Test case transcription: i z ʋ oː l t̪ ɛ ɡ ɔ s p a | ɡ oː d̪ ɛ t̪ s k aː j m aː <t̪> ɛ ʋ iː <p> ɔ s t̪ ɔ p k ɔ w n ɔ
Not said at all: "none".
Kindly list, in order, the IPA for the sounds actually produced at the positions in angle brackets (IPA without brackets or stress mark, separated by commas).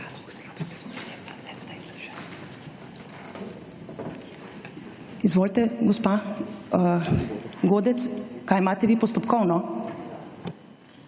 t̪, p